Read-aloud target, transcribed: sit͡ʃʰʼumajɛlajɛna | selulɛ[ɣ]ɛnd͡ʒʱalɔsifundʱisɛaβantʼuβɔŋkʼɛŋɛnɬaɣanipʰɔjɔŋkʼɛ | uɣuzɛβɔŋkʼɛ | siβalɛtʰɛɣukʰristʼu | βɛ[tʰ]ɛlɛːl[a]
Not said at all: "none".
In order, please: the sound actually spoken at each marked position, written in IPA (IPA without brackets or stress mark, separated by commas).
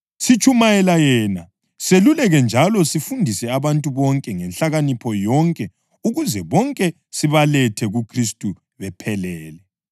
ɣ, pʰ, ɛ